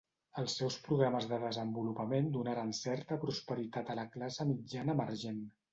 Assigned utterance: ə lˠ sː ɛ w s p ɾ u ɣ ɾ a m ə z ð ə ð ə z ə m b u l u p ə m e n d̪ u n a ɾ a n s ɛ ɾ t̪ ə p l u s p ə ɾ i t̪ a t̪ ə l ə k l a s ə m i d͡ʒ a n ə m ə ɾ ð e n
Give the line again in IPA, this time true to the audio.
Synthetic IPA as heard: ə lˠ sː ɛ w s p ɾ u ɣ ɾ a m ə z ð ə ð ə z ə m b u l u p ə m e n d̪ u n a ɾ a n s ɛ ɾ t̪ ə p ɾ u s p ə ɾ i t̪ a t̪ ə l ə k l a s ə m i d͡ʒ a n ə m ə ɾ ʒ e n

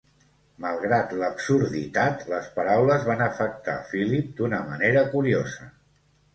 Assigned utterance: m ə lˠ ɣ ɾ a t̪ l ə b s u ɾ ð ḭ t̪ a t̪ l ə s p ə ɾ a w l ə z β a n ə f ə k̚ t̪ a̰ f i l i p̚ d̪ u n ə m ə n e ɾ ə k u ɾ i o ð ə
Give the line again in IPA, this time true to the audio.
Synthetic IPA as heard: m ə lˠ ɣ ɾ a t̪ l ə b s u ɾ ð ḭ t̪ a t̪ l ə s p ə ɾ a w l ə z β a n ə f ə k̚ t̪ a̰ f i l i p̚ d̪ u n ə m ə n e ɾ ə k u ɾ i o z ə

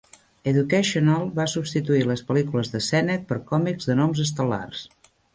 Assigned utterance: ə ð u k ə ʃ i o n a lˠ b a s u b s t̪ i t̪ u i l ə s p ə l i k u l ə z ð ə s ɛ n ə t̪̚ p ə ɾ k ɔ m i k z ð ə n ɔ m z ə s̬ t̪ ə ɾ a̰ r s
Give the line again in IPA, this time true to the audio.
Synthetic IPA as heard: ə ð u k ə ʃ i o n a lˠ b a s u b s t̪ i t̪ u i l ə s p ə l i k u l ə z ð ə s ɛ n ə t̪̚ p ə ɾ k ɔ m i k z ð ə n ɔ m z ə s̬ t̪ ə l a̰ r s

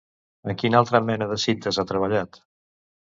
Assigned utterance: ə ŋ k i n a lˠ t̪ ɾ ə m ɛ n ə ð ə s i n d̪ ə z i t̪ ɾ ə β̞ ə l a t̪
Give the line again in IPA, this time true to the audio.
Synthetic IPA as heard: ə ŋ k i n a lˠ t̪ ɾ ə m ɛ n ə ð ə s i n t̪ ə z a t̪ ɾ ə β̞ ə ʎ a t̪

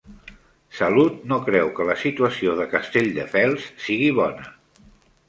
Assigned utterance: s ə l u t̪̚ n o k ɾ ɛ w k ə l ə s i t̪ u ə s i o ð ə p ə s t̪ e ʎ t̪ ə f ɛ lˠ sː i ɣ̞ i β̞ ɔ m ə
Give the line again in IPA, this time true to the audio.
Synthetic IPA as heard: s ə l u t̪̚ n o k ɾ ɛ w k ə l ə s i t̪ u ə s i o ð ə k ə s t̪ e ʎ d̪ ə f ɛ lˠ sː i ɣ̞ i β̞ ɔ n ə

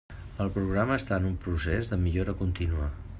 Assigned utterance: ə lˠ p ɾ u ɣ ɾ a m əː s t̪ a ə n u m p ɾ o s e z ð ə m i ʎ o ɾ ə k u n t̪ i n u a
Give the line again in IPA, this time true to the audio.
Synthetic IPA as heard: ə lˠ p ɾ u ɣ ɾ a m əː s t̪ a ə n u m p ɾ u s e z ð ə m i ʎ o ɾ ə k u n t̪ i n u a

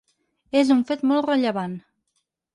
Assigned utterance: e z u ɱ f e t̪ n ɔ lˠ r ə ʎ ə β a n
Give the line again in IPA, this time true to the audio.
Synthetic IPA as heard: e z u ɱ f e t̪ m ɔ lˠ r ə ʎ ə β a n

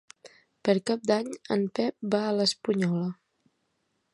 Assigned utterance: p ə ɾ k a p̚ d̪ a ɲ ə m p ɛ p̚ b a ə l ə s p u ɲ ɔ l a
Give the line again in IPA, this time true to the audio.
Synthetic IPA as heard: p ə ɾ k a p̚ d̪ a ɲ ə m p ɛ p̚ b a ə l ə s p u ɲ ɔ l ə

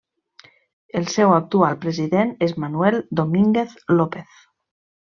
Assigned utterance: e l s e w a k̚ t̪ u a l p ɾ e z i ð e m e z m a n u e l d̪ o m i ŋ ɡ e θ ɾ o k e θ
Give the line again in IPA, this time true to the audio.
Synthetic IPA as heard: e l s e w a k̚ t̪ u a l p ɾ e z i ð e n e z m a n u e l d̪ o m i ŋ ɡ e θ l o p e θ

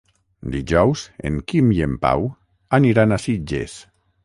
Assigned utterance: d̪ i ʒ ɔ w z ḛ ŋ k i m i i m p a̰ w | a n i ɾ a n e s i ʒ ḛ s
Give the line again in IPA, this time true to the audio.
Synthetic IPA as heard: d̪ i ʒ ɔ w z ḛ ŋ k i m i e m p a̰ w | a n i ɾ a n a s i d͡ʒ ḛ s

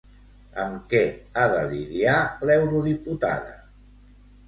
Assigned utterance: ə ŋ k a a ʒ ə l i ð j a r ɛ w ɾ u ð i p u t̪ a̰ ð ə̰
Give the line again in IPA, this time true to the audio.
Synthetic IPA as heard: ə m k ɛ a ð ə l i ð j a l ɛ w ɾ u ð i p u t̪ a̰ ð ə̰

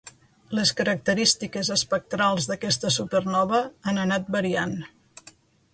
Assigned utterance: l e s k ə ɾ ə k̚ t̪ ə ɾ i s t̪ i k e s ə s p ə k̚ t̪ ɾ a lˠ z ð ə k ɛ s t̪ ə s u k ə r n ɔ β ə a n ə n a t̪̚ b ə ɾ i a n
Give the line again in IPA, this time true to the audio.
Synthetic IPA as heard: l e s k ə ɾ ə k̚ t̪ ə ɾ i s t̪ i k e z ə s p ə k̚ t̪ ɾ a lˠ z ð ə k ɛ s t̪ ə s u p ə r n ɔ β ə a n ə n a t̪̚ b ə ɾ i a n

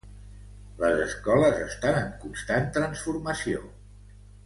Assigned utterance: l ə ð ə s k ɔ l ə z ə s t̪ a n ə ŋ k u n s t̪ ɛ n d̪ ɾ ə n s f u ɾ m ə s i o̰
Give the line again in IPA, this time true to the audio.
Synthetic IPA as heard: l ə z ə s k ɔ l ə z ə s t̪ a n ə ŋ k u n s t̪ a n t̪ ɾ ə n s f u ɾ m ə s i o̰

